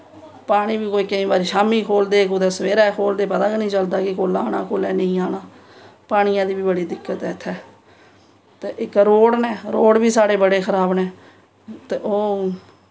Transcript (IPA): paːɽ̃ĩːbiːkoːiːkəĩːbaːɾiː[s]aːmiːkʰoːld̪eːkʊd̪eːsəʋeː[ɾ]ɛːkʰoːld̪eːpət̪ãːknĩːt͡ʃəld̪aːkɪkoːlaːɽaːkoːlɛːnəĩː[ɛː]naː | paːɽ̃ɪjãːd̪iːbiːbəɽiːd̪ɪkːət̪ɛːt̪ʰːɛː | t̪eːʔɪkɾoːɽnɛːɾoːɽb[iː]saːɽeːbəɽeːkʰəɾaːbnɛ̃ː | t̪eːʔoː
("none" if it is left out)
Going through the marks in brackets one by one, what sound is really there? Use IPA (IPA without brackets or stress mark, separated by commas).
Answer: ʃ, ɾ, aː, iː